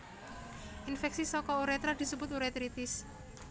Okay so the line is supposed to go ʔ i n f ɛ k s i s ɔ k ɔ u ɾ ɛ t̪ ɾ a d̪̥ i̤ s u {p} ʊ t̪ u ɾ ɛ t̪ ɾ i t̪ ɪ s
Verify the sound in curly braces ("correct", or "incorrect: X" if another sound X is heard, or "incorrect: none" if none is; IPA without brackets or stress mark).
incorrect: b